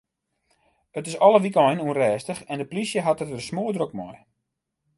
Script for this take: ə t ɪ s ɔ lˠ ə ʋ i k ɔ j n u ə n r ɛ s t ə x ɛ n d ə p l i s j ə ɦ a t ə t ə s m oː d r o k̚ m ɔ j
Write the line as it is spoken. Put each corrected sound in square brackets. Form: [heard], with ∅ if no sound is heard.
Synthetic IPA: ə t ɪ s ɔ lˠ ə ʋ i k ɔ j n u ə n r [ɛː] s t ə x ɛ n d ə p l i s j ə ɦ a t ə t ə s m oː d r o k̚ m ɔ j